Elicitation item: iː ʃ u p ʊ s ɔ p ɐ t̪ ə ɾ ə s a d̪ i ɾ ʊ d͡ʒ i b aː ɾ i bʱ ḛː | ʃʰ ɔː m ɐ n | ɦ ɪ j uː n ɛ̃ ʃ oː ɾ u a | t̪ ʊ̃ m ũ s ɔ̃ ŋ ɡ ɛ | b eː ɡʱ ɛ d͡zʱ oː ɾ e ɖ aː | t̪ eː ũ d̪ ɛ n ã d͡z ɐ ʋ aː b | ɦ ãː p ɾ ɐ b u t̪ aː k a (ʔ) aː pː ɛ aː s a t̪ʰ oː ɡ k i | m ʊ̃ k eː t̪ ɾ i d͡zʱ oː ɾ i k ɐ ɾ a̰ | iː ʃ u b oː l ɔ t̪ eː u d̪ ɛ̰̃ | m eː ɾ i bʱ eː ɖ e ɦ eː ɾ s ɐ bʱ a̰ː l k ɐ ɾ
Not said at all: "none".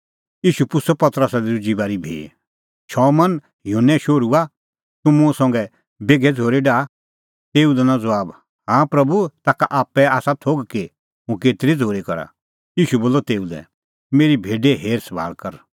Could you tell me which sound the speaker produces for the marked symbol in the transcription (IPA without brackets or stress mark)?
ʔ